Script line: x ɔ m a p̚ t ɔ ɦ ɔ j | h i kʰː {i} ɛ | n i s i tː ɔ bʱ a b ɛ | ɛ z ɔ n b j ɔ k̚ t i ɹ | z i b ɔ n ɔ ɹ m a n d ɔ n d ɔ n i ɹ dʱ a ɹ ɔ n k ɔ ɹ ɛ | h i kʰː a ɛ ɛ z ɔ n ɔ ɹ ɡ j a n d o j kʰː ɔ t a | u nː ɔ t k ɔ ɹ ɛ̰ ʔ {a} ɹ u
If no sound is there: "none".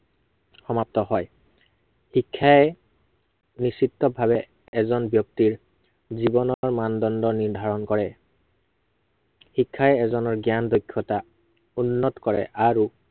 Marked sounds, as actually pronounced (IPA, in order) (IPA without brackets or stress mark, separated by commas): a, a